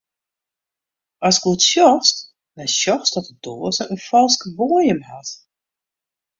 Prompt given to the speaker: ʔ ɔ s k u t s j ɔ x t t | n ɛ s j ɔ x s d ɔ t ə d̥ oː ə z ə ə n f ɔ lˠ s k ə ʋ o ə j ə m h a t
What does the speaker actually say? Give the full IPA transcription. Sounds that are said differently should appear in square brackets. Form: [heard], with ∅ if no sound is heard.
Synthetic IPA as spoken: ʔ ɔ s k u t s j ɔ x [s] t | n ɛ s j ɔ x s d ɔ t ə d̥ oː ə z ə ə n f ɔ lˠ s k ə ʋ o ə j ə m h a t